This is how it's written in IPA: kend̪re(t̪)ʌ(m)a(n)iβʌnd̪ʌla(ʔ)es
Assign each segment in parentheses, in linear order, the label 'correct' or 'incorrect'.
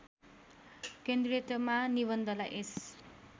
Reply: correct, correct, correct, correct

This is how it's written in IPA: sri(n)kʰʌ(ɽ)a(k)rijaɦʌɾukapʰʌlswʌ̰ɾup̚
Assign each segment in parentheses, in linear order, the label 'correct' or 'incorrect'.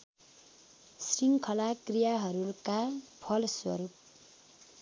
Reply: incorrect: ŋ, incorrect: l, correct

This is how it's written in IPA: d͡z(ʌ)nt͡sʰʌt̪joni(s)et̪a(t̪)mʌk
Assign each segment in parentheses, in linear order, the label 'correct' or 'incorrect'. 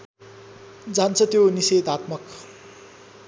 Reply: incorrect: a, correct, correct

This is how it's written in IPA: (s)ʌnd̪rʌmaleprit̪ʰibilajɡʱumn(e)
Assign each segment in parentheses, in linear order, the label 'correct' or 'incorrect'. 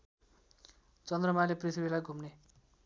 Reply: incorrect: t͡s, correct

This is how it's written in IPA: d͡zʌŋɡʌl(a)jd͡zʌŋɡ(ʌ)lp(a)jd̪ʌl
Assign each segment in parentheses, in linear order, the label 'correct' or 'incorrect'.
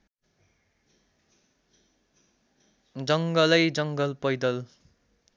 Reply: incorrect: ʌ, correct, incorrect: ʌ

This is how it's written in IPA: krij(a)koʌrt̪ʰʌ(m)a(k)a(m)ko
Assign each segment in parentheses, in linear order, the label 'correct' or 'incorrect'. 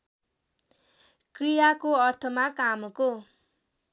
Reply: correct, correct, correct, correct

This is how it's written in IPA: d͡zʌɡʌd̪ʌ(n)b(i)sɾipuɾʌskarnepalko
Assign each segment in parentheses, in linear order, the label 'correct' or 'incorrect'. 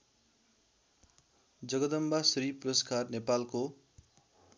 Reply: incorrect: m, incorrect: a

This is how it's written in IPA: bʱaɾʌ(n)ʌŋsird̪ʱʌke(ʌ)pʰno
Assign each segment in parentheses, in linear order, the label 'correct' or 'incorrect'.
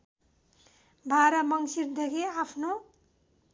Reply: incorrect: m, incorrect: a

